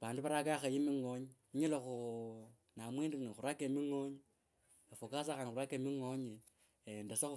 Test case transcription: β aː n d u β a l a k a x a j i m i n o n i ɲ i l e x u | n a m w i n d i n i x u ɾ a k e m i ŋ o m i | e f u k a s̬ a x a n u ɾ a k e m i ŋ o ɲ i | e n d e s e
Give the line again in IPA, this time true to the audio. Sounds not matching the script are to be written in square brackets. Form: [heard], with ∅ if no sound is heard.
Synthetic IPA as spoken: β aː n d u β a [ɾ] a k a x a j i m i [ŋ] o [ɲ] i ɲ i l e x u | n a m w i n d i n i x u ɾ a k e m i ŋ o [ɲ] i | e f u k a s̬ a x a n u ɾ a k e m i ŋ o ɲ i | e n d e s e